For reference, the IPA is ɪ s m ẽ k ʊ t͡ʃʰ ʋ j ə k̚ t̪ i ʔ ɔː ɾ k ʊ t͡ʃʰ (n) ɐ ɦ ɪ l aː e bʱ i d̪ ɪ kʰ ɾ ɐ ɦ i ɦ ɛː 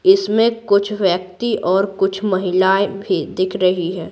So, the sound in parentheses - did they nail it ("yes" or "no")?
no